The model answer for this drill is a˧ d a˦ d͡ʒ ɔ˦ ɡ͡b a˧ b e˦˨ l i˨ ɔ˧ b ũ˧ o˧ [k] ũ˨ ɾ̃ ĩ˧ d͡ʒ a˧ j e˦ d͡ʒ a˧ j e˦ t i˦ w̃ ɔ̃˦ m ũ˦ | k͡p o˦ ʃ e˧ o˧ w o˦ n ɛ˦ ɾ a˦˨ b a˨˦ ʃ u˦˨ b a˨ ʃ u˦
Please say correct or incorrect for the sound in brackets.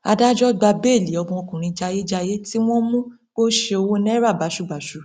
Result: correct